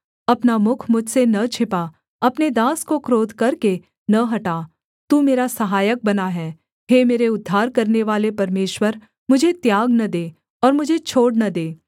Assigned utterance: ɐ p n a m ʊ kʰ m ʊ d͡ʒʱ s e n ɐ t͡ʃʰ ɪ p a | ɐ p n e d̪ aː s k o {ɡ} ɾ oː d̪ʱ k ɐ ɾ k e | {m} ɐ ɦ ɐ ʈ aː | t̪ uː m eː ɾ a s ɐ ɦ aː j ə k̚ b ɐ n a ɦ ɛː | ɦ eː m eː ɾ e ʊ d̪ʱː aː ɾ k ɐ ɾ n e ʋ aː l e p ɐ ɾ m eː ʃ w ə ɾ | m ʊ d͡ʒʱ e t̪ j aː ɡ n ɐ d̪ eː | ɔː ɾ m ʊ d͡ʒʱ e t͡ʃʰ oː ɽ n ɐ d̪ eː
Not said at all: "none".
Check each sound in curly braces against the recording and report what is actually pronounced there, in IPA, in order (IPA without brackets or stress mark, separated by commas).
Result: k, n